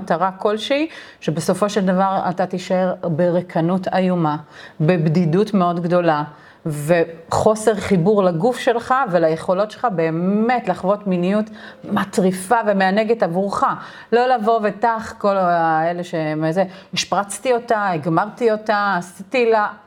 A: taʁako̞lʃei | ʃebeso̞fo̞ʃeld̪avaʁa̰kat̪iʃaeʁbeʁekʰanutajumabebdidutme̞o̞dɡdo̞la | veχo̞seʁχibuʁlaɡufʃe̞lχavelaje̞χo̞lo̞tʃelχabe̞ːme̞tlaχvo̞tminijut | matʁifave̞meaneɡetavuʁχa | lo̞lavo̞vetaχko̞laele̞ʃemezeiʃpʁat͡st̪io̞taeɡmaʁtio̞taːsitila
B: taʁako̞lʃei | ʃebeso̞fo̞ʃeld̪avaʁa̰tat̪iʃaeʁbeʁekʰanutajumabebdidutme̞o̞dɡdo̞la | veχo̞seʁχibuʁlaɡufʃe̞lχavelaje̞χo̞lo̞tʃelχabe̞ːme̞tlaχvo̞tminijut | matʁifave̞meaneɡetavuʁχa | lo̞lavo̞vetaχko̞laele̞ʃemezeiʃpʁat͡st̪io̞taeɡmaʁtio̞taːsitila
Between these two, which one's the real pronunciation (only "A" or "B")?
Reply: B